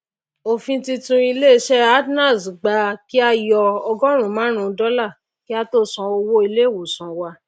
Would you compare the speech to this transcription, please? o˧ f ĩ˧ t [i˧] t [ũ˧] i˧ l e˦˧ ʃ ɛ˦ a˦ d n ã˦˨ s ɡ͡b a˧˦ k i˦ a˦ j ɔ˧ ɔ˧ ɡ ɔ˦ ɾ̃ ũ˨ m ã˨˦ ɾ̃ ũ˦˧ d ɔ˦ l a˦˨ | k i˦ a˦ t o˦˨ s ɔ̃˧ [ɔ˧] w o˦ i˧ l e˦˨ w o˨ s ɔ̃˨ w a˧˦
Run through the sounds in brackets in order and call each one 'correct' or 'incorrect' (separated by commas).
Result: correct, correct, incorrect